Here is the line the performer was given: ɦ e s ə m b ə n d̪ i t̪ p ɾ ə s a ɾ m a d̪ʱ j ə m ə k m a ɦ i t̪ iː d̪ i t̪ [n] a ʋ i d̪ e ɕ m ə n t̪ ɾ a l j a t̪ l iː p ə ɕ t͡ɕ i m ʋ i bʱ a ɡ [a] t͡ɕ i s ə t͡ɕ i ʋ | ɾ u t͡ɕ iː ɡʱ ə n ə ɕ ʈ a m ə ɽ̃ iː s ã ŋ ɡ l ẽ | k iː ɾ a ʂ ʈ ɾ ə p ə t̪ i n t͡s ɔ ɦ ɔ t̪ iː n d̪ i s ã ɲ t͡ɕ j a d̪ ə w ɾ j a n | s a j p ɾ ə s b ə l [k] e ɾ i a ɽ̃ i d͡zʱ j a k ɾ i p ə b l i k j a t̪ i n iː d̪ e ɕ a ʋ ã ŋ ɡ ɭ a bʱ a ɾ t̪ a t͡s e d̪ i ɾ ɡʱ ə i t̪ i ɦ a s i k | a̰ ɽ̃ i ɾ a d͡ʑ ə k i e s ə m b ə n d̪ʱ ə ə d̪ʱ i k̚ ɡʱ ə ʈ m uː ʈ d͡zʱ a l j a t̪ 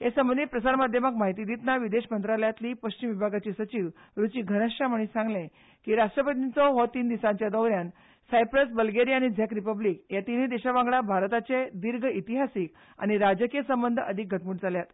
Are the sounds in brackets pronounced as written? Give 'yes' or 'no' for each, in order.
yes, yes, no

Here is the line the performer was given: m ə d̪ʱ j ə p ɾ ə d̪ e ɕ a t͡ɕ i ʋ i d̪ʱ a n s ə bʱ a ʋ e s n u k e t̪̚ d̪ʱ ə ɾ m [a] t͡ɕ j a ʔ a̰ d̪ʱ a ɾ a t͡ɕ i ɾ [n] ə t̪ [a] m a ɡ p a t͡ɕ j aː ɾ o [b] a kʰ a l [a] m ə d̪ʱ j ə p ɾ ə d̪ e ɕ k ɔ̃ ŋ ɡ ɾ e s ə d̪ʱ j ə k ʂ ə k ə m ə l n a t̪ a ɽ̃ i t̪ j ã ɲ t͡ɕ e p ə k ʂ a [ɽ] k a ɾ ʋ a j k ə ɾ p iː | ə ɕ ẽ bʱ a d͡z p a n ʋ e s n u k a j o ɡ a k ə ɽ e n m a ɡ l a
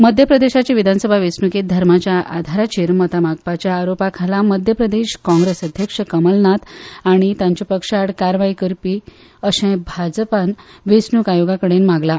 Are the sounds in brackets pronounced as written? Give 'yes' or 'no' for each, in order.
yes, no, yes, no, yes, yes

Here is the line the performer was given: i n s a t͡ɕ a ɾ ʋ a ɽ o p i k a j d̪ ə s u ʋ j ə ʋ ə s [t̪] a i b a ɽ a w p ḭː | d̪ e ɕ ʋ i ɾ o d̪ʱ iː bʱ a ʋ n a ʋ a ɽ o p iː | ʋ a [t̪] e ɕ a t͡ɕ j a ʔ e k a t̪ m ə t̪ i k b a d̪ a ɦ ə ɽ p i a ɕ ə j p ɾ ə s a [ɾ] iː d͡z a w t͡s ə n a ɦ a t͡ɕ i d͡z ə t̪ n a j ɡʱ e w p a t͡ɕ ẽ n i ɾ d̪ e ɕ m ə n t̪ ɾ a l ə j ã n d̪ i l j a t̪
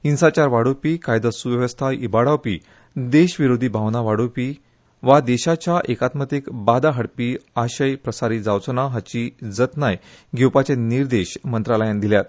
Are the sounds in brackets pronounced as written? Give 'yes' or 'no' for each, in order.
no, no, yes

